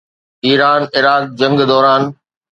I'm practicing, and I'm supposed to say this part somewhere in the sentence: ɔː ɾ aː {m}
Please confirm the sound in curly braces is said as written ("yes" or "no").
no